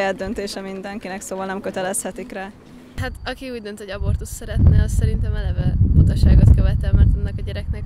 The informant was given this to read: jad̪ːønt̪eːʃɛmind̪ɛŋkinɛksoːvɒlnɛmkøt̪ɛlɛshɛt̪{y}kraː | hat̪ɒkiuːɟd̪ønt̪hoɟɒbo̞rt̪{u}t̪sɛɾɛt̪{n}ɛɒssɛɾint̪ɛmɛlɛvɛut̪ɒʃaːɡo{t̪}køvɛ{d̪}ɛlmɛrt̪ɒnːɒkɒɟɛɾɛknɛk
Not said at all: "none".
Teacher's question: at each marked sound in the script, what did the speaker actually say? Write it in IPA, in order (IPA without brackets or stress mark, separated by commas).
i, u, n, t̪, t̪